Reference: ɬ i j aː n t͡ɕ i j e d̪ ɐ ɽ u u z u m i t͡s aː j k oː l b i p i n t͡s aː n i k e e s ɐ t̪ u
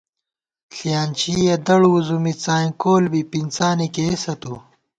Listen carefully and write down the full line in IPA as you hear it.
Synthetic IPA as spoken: ɬ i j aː n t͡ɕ i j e d̪ ɐ ɽ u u z u m i t͡s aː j k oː l b i p i n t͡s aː n i k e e s ɐ t̪ u